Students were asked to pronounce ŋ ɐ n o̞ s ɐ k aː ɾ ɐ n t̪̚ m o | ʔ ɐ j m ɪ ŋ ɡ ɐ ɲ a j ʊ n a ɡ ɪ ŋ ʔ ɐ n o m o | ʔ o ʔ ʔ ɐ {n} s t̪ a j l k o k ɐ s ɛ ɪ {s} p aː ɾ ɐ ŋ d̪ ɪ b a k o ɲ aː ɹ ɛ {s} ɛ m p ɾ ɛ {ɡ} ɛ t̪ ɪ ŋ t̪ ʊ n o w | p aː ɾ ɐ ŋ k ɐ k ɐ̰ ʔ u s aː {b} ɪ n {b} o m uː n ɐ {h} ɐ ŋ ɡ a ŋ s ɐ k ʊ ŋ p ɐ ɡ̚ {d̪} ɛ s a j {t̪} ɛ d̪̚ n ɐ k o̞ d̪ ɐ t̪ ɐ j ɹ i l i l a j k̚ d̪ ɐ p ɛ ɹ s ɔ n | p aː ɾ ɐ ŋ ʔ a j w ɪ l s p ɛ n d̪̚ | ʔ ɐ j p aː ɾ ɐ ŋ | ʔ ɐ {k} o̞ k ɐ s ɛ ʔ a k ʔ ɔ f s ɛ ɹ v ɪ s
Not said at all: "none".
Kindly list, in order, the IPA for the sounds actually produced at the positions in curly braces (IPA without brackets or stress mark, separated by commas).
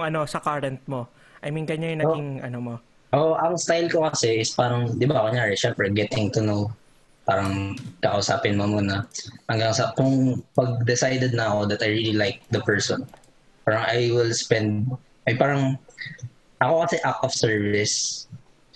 ŋ, s, ʃ, ɡ, p, m, h, d̪, d̪, k